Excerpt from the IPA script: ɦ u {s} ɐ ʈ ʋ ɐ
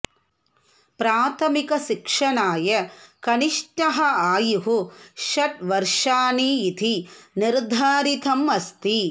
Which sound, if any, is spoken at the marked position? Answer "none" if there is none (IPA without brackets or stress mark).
ʃ